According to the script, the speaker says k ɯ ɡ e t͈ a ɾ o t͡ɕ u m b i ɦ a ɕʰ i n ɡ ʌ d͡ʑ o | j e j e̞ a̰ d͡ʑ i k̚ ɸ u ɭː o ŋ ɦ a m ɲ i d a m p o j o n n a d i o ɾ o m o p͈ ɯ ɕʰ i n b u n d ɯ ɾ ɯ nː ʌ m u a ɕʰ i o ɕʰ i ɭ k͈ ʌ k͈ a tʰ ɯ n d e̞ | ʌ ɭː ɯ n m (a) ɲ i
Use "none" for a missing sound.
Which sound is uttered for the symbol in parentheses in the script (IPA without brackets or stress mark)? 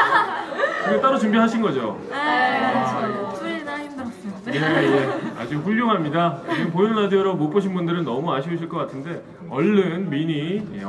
i